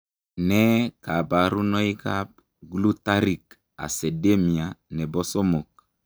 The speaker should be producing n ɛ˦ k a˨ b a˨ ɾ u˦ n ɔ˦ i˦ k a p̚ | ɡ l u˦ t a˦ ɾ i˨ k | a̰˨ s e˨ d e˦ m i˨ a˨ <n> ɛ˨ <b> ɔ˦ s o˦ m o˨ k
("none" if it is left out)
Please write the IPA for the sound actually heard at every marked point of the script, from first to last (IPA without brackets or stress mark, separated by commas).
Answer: n, b